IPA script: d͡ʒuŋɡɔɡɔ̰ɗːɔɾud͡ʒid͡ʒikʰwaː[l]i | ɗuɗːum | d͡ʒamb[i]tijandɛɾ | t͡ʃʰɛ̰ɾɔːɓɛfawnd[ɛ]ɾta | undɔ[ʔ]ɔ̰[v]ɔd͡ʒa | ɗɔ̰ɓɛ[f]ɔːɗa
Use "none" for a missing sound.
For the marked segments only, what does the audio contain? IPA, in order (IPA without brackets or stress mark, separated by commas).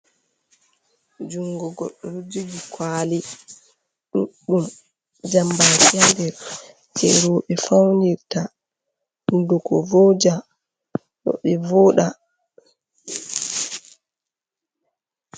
l, a, i, k, v, v